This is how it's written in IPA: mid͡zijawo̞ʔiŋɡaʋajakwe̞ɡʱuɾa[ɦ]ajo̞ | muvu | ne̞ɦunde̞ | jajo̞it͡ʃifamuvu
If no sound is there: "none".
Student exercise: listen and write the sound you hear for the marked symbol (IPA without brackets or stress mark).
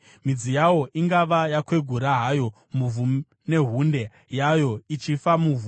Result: ɦ